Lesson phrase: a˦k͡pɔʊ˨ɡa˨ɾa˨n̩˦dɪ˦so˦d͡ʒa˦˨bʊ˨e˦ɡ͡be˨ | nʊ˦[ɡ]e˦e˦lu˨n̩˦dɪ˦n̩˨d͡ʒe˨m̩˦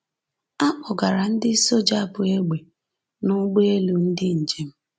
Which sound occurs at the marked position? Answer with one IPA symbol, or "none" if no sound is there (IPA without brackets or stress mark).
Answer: ɡ͡b